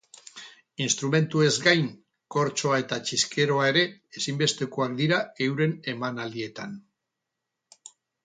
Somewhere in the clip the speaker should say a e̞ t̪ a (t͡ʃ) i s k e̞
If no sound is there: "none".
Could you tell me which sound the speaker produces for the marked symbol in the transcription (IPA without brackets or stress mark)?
t͡ʃ